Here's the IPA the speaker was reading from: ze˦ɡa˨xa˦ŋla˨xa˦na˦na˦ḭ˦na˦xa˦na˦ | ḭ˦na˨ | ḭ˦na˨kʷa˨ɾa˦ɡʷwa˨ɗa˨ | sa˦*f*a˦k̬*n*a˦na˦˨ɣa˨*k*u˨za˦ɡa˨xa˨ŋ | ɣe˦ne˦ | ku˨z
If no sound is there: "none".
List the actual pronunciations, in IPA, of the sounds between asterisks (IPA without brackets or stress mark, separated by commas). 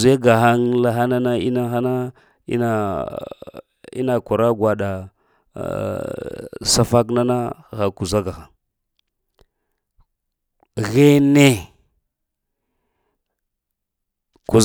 f, n, k